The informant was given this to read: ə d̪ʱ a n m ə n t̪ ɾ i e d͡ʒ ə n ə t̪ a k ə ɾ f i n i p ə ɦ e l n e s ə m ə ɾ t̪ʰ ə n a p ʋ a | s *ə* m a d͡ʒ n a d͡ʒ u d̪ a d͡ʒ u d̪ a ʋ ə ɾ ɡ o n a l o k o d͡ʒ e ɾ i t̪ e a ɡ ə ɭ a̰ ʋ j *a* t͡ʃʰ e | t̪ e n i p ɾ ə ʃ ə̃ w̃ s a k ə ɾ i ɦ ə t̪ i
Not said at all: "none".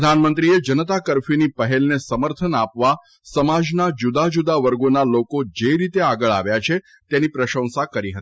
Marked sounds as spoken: ə, a

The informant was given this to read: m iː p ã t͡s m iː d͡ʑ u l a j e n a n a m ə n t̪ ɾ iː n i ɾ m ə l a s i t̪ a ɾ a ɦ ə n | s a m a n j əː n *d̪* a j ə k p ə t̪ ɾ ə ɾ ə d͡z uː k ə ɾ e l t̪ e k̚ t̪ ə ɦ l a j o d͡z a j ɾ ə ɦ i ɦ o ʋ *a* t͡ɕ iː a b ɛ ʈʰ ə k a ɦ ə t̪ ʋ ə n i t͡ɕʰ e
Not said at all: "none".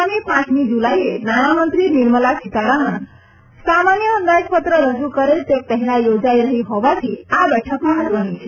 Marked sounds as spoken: d̪, a

